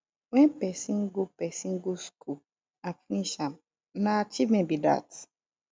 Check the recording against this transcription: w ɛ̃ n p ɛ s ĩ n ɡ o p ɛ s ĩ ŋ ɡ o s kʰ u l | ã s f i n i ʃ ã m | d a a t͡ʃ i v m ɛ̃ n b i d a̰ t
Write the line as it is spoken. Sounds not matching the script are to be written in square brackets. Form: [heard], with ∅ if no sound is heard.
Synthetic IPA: w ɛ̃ n p ɛ s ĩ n ɡ o p ɛ s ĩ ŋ ɡ o s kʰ u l | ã [∅] f i n i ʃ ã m | [n] a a t͡ʃ i v m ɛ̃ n b i d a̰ t

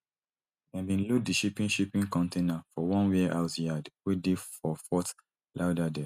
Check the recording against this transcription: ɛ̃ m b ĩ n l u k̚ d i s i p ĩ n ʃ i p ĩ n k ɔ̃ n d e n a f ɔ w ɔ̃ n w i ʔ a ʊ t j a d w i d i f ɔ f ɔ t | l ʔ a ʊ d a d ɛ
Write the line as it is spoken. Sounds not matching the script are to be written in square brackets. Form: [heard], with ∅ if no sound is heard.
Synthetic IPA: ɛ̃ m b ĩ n l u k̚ d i [ʃ] i p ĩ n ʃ i p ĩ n k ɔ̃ n [t] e n a f ɔ w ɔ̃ n w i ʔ a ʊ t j a d w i d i f ɔ f ɔ t | l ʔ a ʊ d a d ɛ

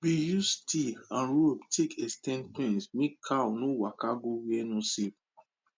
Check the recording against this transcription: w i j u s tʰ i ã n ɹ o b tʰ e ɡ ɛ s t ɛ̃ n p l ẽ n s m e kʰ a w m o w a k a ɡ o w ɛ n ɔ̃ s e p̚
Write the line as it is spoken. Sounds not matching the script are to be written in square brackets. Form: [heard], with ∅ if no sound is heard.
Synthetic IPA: [b] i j u s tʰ i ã n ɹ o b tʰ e [k] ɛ s t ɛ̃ n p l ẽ n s m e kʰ a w [n] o w a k a ɡ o w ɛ n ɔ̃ s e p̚

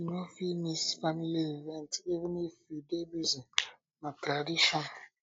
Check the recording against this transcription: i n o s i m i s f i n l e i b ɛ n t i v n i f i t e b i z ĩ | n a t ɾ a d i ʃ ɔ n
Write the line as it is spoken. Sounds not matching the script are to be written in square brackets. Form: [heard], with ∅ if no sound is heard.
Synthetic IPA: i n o [f] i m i s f [a] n l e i [v] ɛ n t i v n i f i [d] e b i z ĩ | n a t ɾ a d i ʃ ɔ n

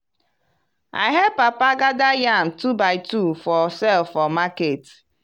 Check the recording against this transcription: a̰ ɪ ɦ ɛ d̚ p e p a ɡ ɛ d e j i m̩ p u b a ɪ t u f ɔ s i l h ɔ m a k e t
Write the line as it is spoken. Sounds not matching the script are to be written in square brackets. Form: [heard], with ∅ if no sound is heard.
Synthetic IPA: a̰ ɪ ɦ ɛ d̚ p [a] p a ɡ [a] d [a] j [a] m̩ [t] u b a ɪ t u f ɔ s [ɛ] l [f] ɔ m a k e t

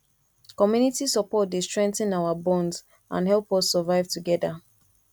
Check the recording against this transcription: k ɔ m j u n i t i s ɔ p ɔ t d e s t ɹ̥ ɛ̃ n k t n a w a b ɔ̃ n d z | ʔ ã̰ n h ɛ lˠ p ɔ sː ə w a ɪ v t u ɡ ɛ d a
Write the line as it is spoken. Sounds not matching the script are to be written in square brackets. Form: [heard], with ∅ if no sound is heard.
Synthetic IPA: k ɔ m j u n i t i s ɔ p ɔ t d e s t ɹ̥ ɛ̃ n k t n a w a b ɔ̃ n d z | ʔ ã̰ n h ɛ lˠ p ɔ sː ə [v] a ɪ v t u ɡ ɛ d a

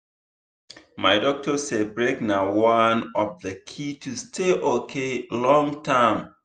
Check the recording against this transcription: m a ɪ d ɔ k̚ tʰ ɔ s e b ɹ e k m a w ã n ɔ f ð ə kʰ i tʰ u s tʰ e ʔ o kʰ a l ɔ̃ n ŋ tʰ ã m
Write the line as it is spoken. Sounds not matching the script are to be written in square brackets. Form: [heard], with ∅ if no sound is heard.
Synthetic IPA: m a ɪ d ɔ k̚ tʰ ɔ s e b ɹ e k [n] a w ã n ɔ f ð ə kʰ i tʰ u s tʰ e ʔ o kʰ [e] l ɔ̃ [∅] ŋ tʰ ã m

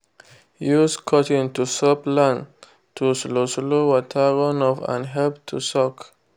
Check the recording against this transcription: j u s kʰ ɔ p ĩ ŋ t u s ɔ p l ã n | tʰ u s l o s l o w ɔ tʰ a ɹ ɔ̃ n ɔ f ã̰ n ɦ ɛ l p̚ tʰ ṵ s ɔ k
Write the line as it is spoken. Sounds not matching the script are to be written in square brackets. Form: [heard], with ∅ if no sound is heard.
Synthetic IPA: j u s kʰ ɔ [t] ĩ [n] t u s ɔ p l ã n | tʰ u s l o s l o w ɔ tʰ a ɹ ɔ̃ n ɔ f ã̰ n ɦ ɛ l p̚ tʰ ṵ s ɔ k

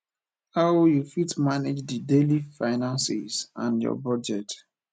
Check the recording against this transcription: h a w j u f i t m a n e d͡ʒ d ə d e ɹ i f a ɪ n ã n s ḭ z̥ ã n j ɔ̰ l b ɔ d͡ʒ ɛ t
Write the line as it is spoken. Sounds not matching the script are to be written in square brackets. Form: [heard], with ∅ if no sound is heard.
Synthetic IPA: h a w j u f i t m a n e d͡ʒ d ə d e [l] i f a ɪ n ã n s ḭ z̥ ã n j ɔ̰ [∅] b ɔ d͡ʒ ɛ t

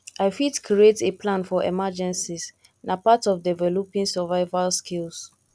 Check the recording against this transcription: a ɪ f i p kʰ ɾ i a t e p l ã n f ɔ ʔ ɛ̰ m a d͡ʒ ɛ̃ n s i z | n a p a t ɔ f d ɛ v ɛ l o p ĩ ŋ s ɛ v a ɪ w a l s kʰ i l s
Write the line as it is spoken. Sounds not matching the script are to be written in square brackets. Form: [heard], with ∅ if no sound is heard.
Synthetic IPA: a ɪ f i [t] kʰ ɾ i [e] t e p l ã n f ɔ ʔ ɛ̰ m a d͡ʒ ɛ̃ n s i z | n a p a t ɔ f d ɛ v ɛ l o p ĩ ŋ s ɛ v a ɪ [v] a l s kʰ i l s

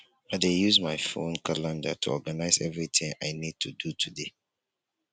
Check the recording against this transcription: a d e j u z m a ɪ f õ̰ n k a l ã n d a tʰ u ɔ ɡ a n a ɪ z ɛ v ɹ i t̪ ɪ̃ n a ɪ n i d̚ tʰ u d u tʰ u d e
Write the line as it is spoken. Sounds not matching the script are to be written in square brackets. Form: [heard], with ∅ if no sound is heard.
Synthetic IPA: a d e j u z m a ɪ f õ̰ n k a l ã n d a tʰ u ɔ ɡ a n a ɪ z ɛ v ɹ i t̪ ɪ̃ [ŋ] a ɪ n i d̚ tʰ u d u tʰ u d e

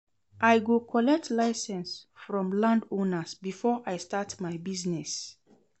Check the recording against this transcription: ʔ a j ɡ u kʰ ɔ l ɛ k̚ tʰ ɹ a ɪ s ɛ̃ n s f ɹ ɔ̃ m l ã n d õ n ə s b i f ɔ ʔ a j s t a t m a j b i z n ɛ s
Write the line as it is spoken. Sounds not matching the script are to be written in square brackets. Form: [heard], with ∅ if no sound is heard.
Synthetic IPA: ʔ a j ɡ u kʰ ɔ l ɛ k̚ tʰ [l] a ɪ s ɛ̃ n s f ɹ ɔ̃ m l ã n d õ n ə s b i f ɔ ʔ a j s t a t m a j b i z n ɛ s

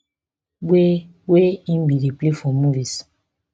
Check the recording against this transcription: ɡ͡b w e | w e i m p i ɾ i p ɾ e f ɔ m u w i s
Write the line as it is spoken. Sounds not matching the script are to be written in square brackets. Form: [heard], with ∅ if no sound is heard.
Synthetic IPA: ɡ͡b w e | w e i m [b] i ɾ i p [l] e f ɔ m u [v] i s

